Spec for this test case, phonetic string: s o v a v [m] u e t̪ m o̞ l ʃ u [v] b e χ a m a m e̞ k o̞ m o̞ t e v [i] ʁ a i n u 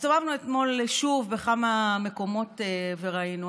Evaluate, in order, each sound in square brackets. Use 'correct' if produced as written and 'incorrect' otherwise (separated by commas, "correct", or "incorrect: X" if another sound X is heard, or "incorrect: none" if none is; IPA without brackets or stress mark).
incorrect: n, correct, incorrect: e